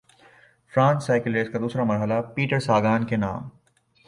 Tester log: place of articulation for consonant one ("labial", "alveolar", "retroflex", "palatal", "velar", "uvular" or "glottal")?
labial